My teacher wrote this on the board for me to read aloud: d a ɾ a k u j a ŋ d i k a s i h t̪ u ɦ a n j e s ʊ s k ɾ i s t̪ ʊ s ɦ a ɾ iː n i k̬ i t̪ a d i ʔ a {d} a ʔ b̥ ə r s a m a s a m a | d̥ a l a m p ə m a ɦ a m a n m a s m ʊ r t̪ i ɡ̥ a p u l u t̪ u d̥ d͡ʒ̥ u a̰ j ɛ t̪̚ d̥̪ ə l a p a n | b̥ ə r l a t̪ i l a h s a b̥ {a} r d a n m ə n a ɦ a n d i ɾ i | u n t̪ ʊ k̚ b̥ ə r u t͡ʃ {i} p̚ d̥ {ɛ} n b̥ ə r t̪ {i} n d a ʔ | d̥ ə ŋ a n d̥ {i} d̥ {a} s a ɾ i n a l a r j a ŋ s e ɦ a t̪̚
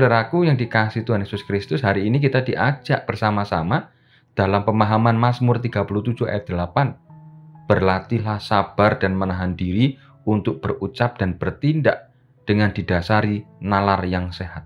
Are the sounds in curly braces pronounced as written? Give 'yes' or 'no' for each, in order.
no, yes, no, no, yes, yes, yes

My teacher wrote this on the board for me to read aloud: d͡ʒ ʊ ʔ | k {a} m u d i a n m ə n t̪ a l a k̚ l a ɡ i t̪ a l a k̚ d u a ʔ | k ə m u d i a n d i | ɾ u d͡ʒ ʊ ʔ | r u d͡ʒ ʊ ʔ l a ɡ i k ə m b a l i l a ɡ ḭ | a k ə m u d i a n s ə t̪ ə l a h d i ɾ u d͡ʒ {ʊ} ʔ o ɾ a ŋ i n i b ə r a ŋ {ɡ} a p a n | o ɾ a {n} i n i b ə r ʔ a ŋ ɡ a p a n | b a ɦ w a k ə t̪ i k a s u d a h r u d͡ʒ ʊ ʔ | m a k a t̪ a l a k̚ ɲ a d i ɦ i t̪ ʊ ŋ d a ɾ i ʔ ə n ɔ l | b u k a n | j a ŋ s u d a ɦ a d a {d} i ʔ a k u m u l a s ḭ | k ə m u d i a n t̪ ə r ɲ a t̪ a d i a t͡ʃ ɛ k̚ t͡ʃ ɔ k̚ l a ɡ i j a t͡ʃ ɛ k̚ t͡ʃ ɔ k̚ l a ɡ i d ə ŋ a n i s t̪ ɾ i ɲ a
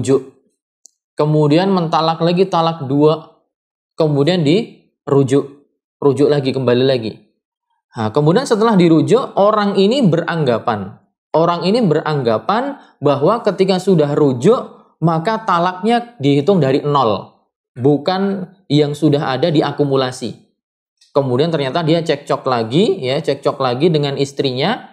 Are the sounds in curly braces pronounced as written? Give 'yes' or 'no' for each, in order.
no, yes, yes, no, yes

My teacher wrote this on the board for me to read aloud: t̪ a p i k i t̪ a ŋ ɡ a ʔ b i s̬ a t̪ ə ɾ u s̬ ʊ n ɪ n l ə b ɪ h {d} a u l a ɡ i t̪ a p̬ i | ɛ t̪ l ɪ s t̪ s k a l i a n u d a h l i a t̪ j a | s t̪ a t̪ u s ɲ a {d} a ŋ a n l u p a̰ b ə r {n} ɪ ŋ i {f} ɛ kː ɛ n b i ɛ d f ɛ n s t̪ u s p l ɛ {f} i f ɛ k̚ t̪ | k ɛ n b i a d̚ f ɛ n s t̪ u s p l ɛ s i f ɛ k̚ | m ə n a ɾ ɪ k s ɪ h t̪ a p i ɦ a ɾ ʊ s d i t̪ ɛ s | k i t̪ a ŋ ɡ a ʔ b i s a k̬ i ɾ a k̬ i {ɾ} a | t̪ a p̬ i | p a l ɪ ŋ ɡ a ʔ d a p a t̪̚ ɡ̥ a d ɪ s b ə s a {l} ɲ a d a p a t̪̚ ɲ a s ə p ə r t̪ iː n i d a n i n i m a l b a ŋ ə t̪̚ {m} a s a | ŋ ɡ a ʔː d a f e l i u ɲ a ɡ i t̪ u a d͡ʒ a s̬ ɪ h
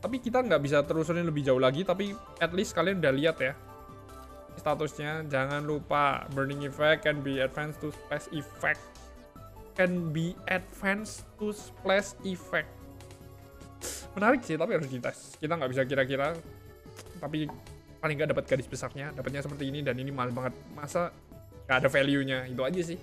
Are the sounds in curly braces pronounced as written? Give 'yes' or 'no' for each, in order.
no, no, yes, yes, no, yes, no, yes

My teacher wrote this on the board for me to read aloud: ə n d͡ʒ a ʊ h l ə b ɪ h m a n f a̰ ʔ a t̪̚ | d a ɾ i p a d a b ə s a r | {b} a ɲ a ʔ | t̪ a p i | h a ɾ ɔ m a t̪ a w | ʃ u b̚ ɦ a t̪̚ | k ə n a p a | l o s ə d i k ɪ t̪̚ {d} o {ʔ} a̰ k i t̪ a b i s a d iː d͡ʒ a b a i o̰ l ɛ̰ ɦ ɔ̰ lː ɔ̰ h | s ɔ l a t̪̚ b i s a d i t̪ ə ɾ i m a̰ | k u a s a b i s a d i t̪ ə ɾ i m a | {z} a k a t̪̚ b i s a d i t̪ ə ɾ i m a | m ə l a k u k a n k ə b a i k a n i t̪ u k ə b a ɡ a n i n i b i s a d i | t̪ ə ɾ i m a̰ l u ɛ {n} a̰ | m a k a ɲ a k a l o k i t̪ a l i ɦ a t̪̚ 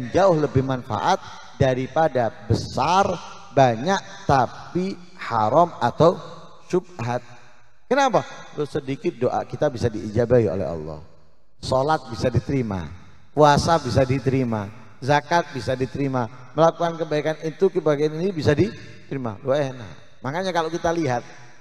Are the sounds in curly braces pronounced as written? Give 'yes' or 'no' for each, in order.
yes, yes, yes, yes, yes

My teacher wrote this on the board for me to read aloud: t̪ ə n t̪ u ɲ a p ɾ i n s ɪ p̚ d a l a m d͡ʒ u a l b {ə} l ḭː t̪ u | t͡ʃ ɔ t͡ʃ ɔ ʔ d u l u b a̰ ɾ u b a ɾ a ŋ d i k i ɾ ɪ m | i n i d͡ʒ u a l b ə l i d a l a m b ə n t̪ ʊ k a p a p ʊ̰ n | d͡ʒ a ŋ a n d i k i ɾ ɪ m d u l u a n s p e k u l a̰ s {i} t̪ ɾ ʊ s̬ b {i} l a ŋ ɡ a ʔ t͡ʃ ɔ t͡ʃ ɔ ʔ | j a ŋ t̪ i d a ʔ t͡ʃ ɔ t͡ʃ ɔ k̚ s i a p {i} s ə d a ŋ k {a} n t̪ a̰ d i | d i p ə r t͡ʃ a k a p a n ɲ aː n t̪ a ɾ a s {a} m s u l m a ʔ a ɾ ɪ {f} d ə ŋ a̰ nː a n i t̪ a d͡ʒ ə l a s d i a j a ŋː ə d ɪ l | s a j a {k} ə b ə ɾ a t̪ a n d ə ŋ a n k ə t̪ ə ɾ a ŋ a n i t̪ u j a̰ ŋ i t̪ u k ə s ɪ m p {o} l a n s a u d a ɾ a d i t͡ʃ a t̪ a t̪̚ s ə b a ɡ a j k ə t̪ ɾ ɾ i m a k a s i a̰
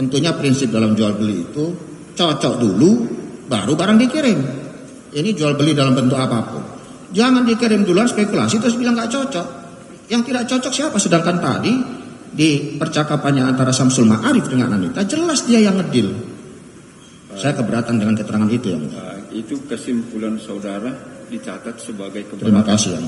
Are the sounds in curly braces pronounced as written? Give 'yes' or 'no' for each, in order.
yes, yes, yes, no, yes, yes, yes, yes, no

